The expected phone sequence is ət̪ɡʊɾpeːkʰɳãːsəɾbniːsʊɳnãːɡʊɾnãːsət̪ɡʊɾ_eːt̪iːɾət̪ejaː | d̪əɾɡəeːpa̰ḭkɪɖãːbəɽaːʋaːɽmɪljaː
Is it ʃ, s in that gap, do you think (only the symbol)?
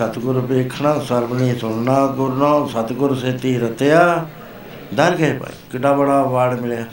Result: s